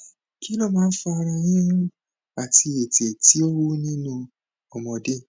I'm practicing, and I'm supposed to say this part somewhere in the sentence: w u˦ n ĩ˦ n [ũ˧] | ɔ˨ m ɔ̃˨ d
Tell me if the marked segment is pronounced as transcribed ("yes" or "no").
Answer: yes